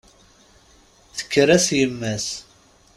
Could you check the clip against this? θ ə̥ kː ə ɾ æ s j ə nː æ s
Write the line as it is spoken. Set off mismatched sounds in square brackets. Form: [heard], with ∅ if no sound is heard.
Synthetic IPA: θ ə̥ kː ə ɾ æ s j ə [mː] æ s